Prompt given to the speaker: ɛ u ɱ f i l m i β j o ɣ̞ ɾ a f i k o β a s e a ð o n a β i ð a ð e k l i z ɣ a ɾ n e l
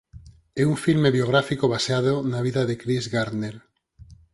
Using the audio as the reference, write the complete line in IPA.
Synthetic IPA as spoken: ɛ u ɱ f i l m e β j o ɣ̞ ɾ a f i k o β a s e a ð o n a β i ð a ð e k ɾ i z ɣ a ɾ n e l